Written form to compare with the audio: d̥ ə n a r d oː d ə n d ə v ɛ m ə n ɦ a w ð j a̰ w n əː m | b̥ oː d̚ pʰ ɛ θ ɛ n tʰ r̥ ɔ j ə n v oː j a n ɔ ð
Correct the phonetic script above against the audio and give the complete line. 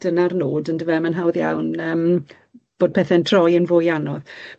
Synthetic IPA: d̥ ə n a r n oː d ə n d ə v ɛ m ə n ɦ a w ð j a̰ w n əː m | b̥ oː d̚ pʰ ɛ θ ɛ n tʰ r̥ ɔ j ə n v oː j a n ɔ ð